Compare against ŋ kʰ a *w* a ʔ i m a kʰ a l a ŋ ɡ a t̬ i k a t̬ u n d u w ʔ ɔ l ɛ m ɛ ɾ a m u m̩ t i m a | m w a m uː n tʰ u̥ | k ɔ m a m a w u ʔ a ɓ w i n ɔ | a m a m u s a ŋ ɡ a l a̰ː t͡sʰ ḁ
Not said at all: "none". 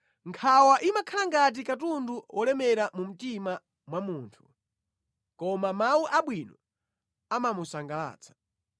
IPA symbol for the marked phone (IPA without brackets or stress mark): w